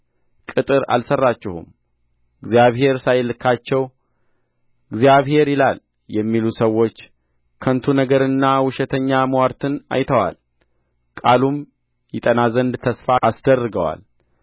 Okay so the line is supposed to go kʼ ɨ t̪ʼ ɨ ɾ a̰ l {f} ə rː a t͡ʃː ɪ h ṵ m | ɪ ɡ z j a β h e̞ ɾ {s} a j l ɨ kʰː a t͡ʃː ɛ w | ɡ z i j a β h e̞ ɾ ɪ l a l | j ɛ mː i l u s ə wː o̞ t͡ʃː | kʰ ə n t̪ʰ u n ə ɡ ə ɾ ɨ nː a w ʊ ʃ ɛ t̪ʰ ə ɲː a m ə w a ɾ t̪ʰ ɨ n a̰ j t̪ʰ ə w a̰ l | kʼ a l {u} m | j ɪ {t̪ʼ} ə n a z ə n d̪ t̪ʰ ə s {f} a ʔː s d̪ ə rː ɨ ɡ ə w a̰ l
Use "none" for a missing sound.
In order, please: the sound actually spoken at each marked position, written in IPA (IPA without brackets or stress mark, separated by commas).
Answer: s, s, u, t̪ʼ, f